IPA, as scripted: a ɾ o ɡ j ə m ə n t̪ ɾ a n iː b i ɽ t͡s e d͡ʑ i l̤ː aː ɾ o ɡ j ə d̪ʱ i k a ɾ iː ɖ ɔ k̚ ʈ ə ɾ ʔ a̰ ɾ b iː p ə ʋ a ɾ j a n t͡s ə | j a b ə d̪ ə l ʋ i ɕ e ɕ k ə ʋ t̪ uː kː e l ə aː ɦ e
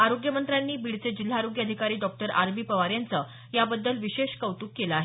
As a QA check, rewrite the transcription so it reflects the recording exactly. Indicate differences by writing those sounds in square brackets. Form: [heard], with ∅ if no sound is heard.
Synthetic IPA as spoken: a ɾ o ɡ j ə m ə n t̪ ɾ a [nː] iː b i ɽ t͡s e d͡ʑ i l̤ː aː ɾ o ɡ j ə d̪ʱ i k a ɾ iː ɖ ɔ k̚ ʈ ə ɾ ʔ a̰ ɾ b iː p ə ʋ a ɾ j a n t͡s ə | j a b ə [d̪ː] ə l ʋ i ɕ e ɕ k ə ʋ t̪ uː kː e l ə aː ɦ e